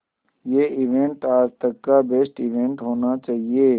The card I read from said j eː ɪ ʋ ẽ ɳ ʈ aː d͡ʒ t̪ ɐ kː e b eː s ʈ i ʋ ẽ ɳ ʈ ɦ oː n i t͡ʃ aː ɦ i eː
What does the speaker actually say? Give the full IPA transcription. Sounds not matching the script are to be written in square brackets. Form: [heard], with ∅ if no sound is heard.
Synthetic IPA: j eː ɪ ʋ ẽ ɳ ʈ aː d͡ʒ t̪ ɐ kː [a] b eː s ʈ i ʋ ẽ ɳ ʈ ɦ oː n [a] t͡ʃ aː ɦ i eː